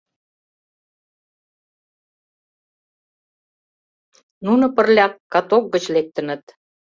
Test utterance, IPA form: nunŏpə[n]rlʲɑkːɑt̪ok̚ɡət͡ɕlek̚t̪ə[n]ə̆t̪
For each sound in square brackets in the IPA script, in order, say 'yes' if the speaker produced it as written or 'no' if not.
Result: no, yes

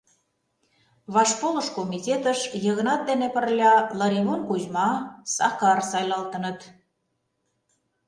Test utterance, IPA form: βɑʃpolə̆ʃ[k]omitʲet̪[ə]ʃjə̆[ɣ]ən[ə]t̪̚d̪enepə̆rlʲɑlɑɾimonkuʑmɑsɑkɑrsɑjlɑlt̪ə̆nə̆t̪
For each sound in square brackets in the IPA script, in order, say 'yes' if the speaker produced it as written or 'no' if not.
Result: yes, yes, yes, no

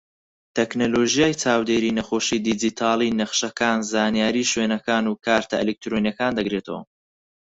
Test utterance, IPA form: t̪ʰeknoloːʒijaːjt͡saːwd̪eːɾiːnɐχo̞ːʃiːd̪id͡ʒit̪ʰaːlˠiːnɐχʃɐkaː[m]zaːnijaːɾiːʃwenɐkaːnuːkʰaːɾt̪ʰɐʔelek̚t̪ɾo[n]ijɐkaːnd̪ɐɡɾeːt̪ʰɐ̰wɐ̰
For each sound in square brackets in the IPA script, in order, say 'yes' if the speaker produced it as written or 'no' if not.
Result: no, yes

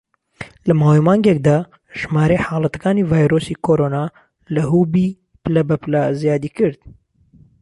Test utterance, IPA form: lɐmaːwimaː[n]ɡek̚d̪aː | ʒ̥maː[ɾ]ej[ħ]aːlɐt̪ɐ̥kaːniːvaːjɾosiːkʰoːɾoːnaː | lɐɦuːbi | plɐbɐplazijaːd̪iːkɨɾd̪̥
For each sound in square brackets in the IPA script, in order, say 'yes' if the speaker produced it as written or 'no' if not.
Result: no, yes, yes

